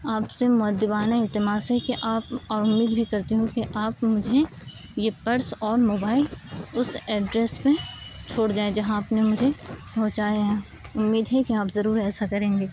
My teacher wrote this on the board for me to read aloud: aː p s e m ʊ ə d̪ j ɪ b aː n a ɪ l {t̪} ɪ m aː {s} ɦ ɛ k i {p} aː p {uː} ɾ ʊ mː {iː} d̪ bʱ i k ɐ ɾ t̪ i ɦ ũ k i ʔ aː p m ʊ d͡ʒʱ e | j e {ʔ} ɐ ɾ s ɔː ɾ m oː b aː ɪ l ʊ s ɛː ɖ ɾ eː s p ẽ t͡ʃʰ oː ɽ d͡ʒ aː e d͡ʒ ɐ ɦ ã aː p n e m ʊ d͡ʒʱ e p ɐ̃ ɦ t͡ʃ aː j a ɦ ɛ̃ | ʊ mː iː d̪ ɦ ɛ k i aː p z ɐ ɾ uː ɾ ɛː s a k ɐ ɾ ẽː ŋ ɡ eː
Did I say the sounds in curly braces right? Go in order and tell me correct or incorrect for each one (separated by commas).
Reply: correct, correct, incorrect, incorrect, correct, incorrect